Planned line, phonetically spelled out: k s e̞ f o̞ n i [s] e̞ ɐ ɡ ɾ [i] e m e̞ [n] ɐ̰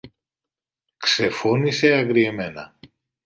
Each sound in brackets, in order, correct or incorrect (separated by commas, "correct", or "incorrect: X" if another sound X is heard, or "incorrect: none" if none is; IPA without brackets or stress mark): correct, correct, correct